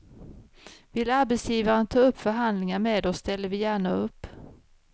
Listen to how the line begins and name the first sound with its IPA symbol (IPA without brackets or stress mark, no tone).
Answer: v